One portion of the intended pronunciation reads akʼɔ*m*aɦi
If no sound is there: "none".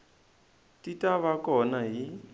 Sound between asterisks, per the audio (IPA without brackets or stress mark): n